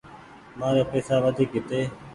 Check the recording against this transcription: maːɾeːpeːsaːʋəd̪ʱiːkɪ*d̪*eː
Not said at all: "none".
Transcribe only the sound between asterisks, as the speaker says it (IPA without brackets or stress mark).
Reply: t̪